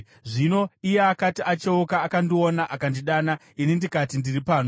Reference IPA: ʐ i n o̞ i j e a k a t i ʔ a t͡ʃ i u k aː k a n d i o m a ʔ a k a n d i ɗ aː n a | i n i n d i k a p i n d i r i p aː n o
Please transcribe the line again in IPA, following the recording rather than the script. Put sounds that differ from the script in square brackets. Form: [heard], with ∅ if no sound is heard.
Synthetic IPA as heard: ʐ i n o̞ i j e a k a t i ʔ a t͡ʃ [e] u k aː k a n d i o [n] a ʔ a k a n d i ɗ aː n a | i n i n d i k a [t] i n d i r i p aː n o